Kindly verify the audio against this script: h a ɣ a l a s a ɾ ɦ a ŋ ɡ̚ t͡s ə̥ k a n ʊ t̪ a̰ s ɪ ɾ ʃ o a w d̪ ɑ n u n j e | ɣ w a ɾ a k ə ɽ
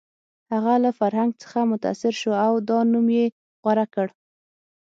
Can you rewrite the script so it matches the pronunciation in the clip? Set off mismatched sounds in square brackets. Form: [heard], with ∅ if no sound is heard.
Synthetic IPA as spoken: h a ɣ a l a [f] a ɾ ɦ a ŋ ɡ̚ t͡s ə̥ [x] a [m] ʊ t̪ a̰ s ɪ ɾ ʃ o a w d̪ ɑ n u [m] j e | ɣ w a ɾ a k ə ɽ